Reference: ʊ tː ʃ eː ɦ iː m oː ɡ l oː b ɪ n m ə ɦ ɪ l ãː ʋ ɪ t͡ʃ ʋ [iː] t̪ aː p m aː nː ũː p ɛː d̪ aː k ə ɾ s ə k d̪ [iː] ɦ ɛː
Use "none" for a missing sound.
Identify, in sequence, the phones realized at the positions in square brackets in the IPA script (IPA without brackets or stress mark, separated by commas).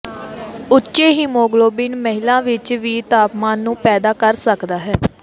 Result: iː, aː